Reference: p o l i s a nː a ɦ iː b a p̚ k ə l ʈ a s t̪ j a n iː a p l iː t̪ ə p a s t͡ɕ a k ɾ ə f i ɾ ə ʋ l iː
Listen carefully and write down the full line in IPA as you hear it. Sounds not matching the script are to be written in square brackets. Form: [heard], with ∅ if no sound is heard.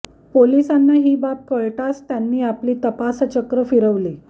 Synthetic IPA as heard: p o l i s a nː a ɦ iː b a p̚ k ə [ɭ] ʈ a s t̪ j a [nː] iː a p l iː t̪ ə p a s t͡ɕ [ə] k ɾ ə f i ɾ ə ʋ l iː